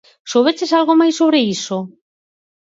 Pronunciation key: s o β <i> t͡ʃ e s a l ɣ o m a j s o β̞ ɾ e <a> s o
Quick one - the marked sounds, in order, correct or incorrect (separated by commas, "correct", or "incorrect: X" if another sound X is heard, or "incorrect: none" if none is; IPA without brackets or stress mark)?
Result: incorrect: e, incorrect: i